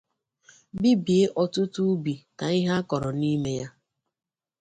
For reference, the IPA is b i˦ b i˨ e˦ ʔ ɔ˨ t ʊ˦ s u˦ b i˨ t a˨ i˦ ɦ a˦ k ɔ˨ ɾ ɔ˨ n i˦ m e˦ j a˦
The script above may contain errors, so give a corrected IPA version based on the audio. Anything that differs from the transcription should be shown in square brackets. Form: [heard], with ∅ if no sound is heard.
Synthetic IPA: b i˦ b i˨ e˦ ʔ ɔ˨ t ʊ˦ [t] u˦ b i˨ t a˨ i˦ ɦ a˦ k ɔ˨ ɾ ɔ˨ n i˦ m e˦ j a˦

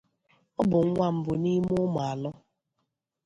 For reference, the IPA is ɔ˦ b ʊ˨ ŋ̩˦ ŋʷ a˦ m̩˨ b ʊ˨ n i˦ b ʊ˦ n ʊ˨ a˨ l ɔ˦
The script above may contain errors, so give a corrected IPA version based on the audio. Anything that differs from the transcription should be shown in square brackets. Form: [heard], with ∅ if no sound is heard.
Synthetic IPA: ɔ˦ b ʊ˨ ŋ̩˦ ŋʷ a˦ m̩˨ b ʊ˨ n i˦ [m] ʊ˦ [m] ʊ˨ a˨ l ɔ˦

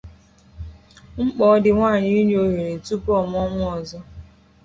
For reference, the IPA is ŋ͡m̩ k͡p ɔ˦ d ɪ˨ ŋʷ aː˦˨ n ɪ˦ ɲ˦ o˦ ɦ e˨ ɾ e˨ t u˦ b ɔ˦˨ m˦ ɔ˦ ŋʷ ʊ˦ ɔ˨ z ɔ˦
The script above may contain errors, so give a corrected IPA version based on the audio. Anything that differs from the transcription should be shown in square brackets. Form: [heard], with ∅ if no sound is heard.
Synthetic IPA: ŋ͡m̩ k͡p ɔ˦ d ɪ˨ ŋʷ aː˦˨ [ɲ] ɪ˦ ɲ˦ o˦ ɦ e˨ ɾ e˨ t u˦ [p] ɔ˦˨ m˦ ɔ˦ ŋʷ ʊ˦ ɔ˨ z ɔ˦

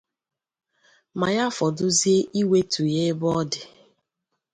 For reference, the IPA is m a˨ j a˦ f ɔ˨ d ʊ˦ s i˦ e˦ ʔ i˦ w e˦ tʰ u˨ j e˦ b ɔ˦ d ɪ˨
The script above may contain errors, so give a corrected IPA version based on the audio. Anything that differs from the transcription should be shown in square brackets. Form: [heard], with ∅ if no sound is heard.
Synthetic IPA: m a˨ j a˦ f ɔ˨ d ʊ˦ [z] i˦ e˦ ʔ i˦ w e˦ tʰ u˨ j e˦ b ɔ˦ d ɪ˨

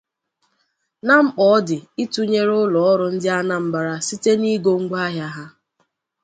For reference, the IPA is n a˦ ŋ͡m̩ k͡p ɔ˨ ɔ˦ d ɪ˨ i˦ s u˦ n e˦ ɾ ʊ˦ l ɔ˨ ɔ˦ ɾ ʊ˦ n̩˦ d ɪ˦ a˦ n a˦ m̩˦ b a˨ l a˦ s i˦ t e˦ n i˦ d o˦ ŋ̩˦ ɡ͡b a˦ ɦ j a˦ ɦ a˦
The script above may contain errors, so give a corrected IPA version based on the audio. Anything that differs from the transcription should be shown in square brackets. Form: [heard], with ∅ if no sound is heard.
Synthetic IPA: n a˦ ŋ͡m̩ k͡p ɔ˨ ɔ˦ d ɪ˨ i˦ [t] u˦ [ɲ] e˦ ɾ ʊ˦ l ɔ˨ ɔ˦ ɾ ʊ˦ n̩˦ d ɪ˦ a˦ n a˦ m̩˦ b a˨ [ɾ] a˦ s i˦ t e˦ n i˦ [ɡ] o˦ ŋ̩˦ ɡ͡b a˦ ɦ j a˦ ɦ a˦

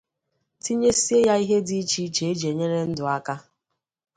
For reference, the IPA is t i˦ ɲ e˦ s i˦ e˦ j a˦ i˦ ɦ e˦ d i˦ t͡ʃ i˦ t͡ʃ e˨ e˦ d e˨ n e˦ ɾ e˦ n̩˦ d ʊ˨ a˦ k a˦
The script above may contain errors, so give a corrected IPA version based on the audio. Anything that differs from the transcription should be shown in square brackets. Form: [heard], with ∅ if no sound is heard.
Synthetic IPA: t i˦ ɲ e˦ s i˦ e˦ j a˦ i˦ ɦ e˦ d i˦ t͡ʃ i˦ t͡ʃ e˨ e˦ [d͡ʒ] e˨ [ɲ] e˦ ɾ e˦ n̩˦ d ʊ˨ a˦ k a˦

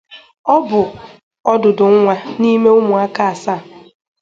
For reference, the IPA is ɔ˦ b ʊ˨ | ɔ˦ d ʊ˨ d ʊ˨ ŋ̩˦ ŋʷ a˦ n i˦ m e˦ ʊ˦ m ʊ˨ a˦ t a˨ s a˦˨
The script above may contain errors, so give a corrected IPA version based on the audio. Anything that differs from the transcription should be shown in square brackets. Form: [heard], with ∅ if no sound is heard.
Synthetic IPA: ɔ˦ b ʊ˨ | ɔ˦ d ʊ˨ d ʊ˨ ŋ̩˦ ŋʷ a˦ n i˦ m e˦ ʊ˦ m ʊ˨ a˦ [k] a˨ s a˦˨

